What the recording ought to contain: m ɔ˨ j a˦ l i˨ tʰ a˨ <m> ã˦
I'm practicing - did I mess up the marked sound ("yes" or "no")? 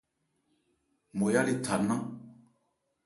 yes